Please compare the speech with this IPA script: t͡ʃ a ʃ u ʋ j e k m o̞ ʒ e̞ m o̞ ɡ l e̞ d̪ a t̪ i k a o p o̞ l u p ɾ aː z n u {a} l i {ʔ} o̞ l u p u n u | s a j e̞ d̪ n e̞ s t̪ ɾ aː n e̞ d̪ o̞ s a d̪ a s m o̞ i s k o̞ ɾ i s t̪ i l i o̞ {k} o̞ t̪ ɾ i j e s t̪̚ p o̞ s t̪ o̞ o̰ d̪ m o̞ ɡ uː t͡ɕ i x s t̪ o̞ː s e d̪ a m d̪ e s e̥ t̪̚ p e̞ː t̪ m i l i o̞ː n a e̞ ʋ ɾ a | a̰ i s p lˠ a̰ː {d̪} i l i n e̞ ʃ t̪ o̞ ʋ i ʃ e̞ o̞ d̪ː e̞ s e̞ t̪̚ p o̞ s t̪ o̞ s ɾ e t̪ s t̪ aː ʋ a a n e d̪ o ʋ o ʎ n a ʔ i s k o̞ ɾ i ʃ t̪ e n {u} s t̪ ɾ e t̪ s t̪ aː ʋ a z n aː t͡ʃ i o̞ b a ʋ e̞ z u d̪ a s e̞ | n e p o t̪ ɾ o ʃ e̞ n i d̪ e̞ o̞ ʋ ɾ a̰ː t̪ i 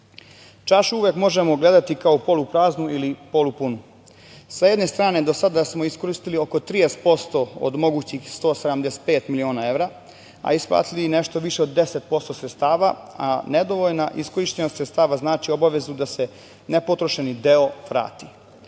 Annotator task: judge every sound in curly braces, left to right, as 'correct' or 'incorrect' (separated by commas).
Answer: incorrect, incorrect, correct, incorrect, incorrect